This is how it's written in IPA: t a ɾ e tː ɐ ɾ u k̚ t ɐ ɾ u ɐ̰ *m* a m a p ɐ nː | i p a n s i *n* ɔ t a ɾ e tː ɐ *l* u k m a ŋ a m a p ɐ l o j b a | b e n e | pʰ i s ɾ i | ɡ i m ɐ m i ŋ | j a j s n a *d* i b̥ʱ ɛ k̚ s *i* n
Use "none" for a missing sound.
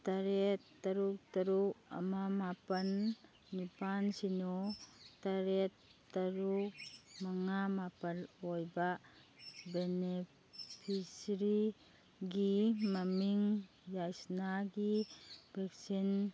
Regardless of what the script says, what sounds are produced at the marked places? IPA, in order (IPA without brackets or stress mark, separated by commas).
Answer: m, n, ɾ, ɡ, i